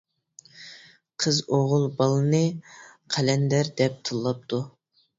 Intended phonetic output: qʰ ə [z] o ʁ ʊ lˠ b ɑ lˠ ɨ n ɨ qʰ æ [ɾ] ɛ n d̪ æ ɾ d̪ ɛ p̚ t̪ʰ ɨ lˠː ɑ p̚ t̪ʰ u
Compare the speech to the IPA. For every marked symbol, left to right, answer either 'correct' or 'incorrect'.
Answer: correct, incorrect: l

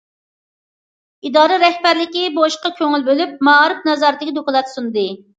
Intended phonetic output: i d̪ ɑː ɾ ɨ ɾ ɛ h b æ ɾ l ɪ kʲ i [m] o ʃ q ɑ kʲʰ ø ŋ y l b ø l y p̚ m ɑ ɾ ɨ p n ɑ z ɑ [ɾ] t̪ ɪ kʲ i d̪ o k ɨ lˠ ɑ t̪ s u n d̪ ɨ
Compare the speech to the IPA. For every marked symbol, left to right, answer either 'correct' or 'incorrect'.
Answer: incorrect: b, correct

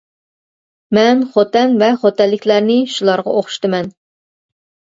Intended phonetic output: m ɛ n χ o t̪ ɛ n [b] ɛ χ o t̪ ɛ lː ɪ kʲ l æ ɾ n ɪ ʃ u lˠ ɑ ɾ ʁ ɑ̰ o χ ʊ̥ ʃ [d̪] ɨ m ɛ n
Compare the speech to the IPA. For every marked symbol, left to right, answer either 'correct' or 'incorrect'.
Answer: incorrect: v, incorrect: t̪

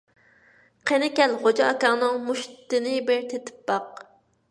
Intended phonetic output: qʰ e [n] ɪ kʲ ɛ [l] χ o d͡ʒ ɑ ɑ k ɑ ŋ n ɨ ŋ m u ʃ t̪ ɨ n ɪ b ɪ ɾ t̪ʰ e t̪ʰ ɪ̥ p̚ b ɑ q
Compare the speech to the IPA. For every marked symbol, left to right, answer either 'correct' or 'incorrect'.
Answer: correct, correct

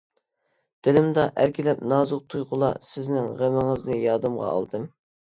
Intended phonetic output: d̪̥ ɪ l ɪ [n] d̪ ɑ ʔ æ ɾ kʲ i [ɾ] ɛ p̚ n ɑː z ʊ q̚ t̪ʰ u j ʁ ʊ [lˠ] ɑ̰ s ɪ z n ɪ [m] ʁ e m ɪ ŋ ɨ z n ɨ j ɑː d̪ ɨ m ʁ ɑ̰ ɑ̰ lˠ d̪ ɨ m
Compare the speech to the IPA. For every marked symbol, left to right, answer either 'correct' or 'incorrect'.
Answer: incorrect: m, incorrect: l, correct, incorrect: ŋ

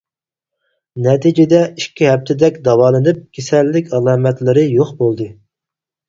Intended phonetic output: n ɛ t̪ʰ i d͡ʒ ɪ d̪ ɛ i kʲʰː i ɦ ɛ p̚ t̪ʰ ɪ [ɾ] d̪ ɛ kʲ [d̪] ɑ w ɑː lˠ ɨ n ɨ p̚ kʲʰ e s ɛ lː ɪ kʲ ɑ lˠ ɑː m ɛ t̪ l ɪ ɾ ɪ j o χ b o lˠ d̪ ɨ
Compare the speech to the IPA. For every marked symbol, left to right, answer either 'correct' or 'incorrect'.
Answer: incorrect: none, correct

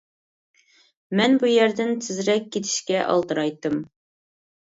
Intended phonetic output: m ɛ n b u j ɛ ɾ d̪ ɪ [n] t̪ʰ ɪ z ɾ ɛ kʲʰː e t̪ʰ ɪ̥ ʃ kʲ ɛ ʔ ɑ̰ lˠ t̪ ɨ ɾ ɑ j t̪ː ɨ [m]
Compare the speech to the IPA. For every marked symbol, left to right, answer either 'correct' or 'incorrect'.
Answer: correct, correct

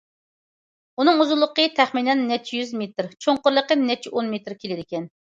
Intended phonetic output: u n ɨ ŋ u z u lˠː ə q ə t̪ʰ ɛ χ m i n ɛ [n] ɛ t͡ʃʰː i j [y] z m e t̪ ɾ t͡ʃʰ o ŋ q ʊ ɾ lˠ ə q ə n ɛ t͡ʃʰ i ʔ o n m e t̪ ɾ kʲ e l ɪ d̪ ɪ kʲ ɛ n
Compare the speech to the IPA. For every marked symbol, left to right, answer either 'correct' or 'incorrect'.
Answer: incorrect: nː, correct

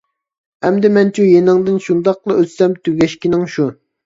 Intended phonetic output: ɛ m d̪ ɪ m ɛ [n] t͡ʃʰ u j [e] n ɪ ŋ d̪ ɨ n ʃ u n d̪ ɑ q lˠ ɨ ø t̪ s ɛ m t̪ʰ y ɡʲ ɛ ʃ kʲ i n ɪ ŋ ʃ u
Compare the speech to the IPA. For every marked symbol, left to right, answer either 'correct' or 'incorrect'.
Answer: correct, correct

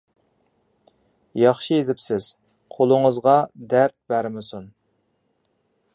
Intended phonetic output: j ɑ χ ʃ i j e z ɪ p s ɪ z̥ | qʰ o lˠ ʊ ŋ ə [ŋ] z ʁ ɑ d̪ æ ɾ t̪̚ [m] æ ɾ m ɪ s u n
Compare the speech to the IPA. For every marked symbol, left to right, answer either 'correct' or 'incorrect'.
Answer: incorrect: none, incorrect: b

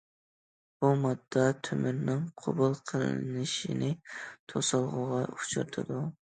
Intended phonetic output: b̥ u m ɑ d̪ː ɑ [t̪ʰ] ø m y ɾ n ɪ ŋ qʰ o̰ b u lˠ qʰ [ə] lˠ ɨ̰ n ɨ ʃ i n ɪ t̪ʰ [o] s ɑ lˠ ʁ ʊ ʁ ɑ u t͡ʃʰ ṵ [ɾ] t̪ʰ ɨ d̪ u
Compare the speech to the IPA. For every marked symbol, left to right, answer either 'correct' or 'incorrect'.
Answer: correct, correct, correct, correct

